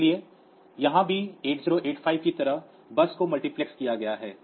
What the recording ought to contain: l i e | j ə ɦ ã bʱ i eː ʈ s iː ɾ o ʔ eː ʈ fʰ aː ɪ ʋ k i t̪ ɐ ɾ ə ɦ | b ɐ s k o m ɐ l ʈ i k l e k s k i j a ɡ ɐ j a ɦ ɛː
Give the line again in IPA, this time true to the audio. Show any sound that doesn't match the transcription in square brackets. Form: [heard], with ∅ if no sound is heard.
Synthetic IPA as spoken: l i e | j [ɐ] ɦ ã bʱ i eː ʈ [z] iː ɾ o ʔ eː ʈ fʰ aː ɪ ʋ k i t̪ ɐ ɾ ə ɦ | b ɐ s k o m ɐ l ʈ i [p] l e k s k i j a ɡ ɐ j a ɦ ɛː

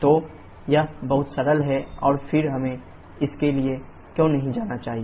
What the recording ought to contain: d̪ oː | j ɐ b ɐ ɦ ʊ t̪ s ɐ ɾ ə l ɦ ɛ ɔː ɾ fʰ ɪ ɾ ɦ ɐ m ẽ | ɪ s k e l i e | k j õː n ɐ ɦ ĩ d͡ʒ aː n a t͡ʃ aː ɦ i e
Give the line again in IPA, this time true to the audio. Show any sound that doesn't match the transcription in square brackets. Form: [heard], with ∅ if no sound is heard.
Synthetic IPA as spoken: [t̪] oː | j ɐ b ɐ ɦ ʊ t̪ s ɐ ɾ ə l ɦ ɛ ɔː ɾ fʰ ɪ ɾ ɦ ɐ m ẽ | ɪ s k e l i e | k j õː n ɐ ɦ ĩ d͡ʒ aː n a t͡ʃ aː ɦ i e

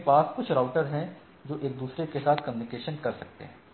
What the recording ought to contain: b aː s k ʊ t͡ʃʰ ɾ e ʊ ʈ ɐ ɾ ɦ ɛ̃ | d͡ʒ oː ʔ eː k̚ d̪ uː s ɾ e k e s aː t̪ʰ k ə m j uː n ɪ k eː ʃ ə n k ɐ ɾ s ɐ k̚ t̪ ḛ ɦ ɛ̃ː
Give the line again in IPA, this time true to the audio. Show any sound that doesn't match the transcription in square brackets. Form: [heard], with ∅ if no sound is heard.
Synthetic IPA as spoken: [p] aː s k ʊ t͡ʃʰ ɾ [a] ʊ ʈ [ə] ɾ ɦ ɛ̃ | d͡ʒ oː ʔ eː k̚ d̪ uː s ɾ e k e s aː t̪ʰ k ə m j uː n ɪ k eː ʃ ə n k ɐ ɾ s ɐ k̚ t̪ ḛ ɦ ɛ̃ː

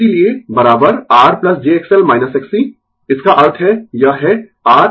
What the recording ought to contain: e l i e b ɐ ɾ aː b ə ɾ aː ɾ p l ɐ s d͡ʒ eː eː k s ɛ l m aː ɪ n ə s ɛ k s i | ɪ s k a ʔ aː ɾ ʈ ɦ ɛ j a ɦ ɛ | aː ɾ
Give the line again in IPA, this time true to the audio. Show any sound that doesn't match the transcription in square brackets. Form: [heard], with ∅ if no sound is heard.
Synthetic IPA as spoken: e l i e b ɐ ɾ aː b ə ɾ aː ɾ p l ɐ s d͡ʒ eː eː k s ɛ l m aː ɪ n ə s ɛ k s i | ɪ s k a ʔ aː ɾ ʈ ɦ ɛ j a ɦ ɛ | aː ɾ

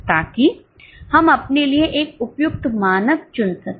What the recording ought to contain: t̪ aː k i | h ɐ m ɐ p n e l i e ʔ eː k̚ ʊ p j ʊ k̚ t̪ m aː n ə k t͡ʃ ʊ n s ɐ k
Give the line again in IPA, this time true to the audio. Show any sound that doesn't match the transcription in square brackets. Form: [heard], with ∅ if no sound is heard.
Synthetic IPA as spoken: t̪ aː k i | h ɐ m ɐ p n e l i e ʔ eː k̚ ʊ p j ʊ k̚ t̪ m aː n ə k t͡ʃ ʊ n s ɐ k

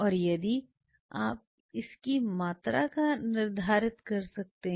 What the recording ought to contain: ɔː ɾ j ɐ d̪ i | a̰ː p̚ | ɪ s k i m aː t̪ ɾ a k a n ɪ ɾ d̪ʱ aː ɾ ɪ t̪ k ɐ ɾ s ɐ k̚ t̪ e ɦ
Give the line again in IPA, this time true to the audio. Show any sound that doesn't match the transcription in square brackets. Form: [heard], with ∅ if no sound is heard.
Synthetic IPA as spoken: ɔː ɾ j ɐ d̪ i | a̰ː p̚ | ɪ s k i m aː t̪ ɾ a k a n ɪ ɾ d̪ʱ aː ɾ ɪ t̪ k ɐ ɾ s ɐ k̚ t̪ e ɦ

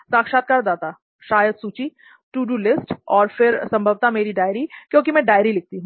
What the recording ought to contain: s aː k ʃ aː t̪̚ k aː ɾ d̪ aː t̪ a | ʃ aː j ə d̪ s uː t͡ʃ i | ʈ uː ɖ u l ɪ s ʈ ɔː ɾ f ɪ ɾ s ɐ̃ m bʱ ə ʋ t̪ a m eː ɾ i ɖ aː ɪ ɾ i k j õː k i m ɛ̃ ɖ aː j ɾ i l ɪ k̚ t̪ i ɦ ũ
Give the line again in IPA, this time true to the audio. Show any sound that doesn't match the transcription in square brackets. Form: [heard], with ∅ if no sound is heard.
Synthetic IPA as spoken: s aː k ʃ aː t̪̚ k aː ɾ d̪ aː t̪ a | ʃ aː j ə d̪ s uː t͡ʃ i | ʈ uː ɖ u l ɪ s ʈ ɔː ɾ f ɪ ɾ s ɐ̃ m bʱ ə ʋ t̪ a m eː ɾ i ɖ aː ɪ ɾ i k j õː k i m ɛ̃ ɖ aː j ɾ i l ɪ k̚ t̪ i ɦ ũ

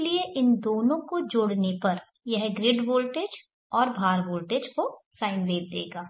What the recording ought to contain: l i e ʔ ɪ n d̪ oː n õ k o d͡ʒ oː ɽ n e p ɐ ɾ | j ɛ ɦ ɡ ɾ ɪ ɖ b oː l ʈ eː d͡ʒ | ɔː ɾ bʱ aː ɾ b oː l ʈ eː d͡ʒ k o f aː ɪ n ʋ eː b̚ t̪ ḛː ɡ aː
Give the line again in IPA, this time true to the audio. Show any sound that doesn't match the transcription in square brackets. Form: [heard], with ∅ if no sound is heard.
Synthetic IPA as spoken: l i e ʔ ɪ n d̪ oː n õ k o d͡ʒ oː ɽ n e p ɐ ɾ | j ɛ ɦ ɡ ɾ ɪ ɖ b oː l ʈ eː d͡ʒ | ɔː ɾ bʱ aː ɾ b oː l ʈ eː d͡ʒ k o [s] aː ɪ n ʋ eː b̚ [d̪] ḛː ɡ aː

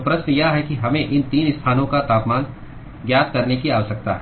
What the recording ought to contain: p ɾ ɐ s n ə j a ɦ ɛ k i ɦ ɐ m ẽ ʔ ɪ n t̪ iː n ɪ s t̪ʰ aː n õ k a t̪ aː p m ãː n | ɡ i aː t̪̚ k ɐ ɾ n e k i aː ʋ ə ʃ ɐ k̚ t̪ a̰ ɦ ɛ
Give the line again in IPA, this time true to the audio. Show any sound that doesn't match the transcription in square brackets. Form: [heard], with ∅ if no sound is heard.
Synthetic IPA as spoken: p ɾ ɐ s n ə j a ɦ ɛ k i ɦ ɐ m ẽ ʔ ɪ n t̪ iː n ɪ s t̪ʰ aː n õ k a t̪ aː p m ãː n | ɡ [j] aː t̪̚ k ɐ ɾ n e k i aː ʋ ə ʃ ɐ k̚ t̪ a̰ ɦ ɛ

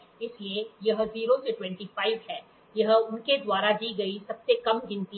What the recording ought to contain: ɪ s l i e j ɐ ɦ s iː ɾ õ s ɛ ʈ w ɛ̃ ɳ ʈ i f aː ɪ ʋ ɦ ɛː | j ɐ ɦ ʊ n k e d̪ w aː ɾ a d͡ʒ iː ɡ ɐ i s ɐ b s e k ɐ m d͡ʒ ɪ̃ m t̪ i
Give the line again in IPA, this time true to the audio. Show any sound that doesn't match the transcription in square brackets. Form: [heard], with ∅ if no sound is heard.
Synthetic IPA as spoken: ɪ s l i e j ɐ ɦ [z] iː ɾ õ s [e] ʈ w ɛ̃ ɳ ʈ i f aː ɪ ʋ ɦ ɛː | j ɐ ɦ ʊ n k e d̪ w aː ɾ a d͡ʒ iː ɡ ɐ i s ɐ b s e k ɐ m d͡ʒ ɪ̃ [n] t̪ i

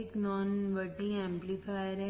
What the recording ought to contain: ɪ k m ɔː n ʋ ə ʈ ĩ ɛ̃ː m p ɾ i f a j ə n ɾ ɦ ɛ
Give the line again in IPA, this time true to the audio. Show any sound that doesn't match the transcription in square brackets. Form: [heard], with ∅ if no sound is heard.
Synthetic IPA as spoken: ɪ k [n] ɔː n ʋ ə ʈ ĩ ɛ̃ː m p [l] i f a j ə [∅] ɾ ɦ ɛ

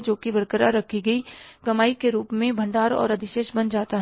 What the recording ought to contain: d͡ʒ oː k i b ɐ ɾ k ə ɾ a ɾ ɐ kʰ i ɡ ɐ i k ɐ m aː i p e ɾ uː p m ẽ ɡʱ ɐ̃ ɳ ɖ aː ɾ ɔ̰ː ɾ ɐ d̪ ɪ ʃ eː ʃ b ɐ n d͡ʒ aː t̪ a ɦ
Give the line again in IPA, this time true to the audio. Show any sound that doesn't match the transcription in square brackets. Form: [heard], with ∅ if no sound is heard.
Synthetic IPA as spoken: d͡ʒ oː k i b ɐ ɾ k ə ɾ a ɾ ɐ kʰ i ɡ ɐ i k ɐ m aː i [k] e ɾ uː p m ẽ [bʱ] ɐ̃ ɳ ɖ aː ɾ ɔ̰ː ɾ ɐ d̪ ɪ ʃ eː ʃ b ɐ n d͡ʒ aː t̪ a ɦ

